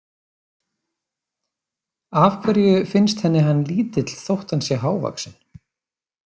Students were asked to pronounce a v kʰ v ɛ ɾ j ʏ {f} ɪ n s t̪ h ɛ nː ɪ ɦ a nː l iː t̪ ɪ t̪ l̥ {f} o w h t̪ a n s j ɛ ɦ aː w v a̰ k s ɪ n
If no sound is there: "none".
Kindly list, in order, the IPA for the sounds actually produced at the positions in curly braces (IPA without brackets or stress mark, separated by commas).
f, θ